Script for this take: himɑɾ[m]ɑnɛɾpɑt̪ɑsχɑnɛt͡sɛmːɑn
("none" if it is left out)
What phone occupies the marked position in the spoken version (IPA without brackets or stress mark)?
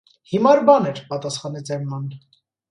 b